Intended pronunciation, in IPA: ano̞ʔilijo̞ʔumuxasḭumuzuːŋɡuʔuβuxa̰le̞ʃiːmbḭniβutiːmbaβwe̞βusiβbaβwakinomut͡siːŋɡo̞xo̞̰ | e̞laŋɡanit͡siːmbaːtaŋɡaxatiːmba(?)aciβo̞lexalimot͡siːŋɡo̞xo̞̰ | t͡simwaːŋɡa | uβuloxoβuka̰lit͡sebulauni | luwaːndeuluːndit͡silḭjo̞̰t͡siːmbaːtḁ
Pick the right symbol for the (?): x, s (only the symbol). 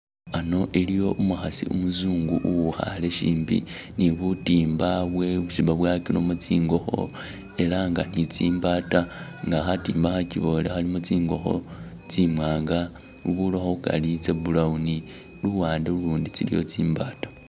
x